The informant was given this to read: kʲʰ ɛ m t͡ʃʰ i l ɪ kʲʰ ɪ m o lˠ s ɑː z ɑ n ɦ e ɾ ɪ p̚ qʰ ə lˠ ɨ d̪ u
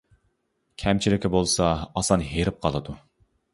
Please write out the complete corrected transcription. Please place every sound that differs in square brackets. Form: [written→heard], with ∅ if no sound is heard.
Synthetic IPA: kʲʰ ɛ m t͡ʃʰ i l ɪ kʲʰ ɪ [m→b] o lˠ s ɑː [z→s] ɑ n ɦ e ɾ ɪ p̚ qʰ [ə→ɑ] lˠ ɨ d̪ u